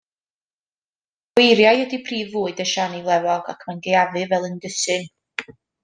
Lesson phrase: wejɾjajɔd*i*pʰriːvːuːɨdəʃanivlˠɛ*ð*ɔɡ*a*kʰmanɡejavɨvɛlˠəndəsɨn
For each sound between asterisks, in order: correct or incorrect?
correct, incorrect: v, correct

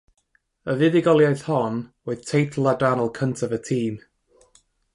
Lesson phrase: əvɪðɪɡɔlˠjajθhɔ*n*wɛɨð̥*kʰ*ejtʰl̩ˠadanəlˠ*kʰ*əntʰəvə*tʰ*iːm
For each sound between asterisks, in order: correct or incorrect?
correct, incorrect: tʰ, correct, correct

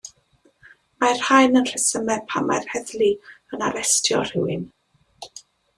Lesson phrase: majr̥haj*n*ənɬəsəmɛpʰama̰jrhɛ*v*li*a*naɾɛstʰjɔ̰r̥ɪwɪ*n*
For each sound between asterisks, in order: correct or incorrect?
correct, incorrect: ð, incorrect: ə, correct

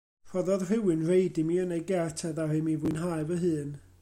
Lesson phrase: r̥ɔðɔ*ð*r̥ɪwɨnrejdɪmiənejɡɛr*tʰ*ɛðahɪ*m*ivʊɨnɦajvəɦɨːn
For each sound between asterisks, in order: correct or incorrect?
correct, correct, correct

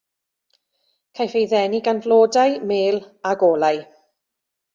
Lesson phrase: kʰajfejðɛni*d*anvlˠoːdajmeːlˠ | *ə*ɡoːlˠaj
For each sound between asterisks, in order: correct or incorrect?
incorrect: ɡ, incorrect: a

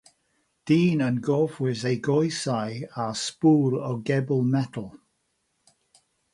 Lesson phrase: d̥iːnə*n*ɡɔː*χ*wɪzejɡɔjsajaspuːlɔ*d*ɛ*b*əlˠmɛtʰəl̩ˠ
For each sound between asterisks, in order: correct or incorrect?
correct, incorrect: f, incorrect: ɡ, correct

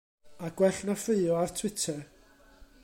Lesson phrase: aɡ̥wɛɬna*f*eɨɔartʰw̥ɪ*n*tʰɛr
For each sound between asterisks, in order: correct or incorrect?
correct, incorrect: none

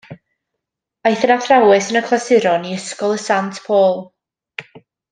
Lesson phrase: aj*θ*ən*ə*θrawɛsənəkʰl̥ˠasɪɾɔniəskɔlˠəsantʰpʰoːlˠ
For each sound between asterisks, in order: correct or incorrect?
correct, incorrect: a

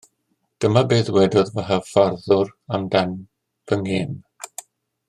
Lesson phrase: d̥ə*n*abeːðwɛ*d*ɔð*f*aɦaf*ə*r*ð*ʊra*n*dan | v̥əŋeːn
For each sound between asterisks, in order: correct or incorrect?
incorrect: m, correct, incorrect: v, incorrect: a, correct, incorrect: m

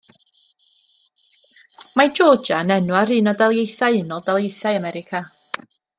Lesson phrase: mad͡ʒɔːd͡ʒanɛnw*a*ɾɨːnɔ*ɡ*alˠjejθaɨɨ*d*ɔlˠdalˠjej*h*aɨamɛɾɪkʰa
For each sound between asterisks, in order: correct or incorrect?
correct, incorrect: d, incorrect: n, incorrect: θ

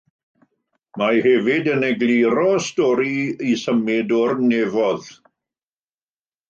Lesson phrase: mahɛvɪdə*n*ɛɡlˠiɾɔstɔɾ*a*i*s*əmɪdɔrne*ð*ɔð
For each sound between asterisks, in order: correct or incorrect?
correct, incorrect: i, correct, incorrect: v

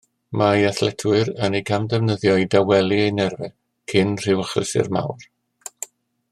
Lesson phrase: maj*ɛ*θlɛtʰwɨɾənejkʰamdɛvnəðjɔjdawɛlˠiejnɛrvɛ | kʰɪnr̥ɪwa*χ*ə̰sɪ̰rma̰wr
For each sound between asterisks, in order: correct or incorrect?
incorrect: a, correct

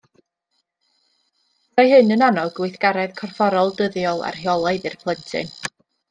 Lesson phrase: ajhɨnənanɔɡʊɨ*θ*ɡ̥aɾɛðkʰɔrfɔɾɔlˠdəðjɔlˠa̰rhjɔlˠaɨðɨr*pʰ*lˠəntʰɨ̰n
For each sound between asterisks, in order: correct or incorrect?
correct, correct

